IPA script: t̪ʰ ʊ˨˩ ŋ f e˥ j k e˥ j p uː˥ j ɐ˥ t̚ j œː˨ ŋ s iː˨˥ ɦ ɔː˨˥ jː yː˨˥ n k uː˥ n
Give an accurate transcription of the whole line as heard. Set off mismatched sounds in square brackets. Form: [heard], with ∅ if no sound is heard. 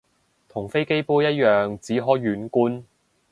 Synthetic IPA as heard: t̪ʰ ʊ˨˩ ŋ f e˥ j k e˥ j p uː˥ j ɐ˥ t̚ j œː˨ ŋ [t͡s] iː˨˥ ɦ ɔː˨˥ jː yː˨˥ n k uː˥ n